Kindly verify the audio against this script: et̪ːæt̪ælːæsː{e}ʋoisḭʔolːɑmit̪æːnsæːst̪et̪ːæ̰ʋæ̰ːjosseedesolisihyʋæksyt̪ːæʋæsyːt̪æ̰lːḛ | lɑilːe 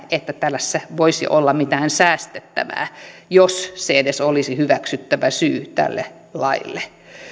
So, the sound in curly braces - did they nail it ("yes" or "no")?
no